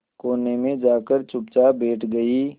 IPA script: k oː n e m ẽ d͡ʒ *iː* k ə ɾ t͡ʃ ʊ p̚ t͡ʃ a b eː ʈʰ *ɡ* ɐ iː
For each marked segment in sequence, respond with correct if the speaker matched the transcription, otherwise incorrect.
incorrect: aː, correct

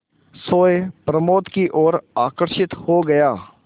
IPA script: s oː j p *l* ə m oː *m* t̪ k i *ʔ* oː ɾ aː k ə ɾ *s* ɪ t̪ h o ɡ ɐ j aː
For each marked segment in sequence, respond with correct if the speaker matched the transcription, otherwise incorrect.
incorrect: ɾ, incorrect: none, correct, incorrect: ʃ

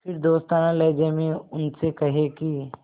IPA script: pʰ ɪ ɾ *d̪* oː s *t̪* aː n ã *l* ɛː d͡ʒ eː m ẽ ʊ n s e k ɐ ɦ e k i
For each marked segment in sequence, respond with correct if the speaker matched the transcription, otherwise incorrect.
correct, correct, correct

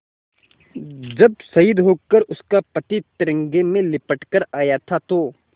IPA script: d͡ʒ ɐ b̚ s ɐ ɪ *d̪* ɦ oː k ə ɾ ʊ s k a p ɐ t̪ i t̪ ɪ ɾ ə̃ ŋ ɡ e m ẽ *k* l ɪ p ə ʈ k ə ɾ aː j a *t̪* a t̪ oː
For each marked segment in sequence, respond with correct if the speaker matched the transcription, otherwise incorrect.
correct, incorrect: none, incorrect: t̪ʰ

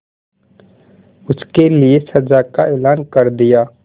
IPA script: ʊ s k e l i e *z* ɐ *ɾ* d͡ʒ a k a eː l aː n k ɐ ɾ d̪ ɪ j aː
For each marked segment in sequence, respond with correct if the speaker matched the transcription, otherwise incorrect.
incorrect: s, incorrect: none

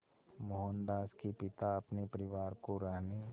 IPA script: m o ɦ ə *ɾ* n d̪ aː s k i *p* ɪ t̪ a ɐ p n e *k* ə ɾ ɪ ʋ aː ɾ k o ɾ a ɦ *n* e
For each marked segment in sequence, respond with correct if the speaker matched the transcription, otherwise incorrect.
incorrect: none, correct, incorrect: p, correct

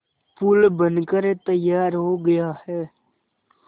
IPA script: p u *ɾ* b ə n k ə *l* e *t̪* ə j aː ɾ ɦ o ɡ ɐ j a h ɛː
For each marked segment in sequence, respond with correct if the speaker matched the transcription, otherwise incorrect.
incorrect: l, incorrect: ɾ, correct

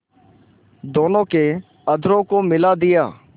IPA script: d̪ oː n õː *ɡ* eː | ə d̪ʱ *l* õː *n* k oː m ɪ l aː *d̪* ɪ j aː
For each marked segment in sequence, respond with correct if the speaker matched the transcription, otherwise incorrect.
incorrect: k, incorrect: ɾ, incorrect: none, correct

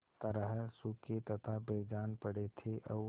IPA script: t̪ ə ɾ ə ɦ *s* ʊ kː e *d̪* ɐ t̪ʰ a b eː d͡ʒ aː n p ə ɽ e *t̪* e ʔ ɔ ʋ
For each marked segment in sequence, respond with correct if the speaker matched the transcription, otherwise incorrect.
correct, incorrect: t̪, incorrect: t̪ʰ

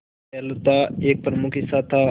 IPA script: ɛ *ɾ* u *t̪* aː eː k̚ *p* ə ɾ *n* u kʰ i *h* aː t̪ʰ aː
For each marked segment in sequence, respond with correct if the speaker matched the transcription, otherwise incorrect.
incorrect: l, correct, correct, incorrect: m, incorrect: s

